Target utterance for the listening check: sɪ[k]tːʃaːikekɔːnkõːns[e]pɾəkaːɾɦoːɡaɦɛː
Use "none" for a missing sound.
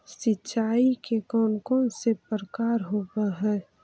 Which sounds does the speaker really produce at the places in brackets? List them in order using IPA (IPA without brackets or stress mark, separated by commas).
none, e